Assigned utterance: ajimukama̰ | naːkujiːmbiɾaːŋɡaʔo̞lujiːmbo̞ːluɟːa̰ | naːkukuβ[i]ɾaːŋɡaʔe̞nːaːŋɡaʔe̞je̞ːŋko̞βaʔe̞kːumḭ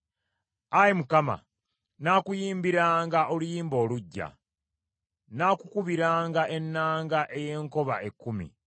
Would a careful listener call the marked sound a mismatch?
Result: no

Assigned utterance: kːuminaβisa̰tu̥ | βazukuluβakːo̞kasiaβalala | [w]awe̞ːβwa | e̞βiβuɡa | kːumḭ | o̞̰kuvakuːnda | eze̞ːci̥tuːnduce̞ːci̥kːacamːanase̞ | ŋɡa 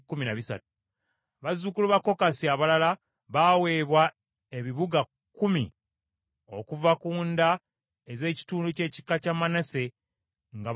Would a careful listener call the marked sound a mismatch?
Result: yes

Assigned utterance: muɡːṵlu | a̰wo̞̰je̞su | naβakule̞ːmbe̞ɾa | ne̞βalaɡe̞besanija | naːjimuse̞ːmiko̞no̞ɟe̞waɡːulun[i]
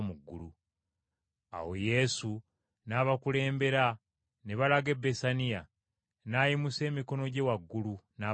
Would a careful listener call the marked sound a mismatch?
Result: yes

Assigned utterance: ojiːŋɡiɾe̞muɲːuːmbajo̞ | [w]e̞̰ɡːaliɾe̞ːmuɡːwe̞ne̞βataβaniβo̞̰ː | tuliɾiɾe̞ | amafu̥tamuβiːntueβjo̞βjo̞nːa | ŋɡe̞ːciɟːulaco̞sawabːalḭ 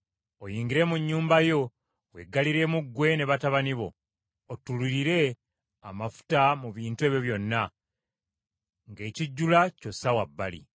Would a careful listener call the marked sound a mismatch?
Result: no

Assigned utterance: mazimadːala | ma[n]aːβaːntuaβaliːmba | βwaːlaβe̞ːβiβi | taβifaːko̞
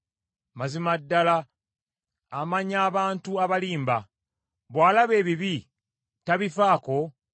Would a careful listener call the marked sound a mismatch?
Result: yes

